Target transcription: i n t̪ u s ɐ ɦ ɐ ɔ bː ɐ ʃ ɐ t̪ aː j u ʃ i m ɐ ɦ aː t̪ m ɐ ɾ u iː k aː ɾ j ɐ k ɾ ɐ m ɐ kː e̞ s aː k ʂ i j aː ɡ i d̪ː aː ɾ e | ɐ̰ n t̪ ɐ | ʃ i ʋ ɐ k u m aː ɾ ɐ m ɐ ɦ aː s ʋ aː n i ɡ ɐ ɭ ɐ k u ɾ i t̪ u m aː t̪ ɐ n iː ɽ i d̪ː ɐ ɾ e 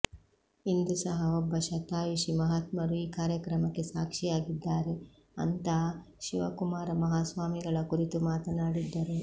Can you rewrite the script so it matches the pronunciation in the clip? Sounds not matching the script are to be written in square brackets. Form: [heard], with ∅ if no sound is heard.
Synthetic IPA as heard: i n [d̪] u s ɐ ɦ ɐ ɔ bː ɐ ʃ ɐ t̪ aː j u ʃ i m ɐ ɦ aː t̪ m ɐ ɾ u iː k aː ɾ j ɐ k ɾ ɐ m ɐ kː e̞ s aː k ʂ i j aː ɡ i d̪ː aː ɾ e | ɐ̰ n t̪ ɐ | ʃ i ʋ ɐ k u m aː ɾ ɐ m ɐ ɦ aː s ʋ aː [m] i ɡ ɐ ɭ ɐ k u ɾ i t̪ u m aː t̪ ɐ n [aː] ɽ i d̪ː ɐ ɾ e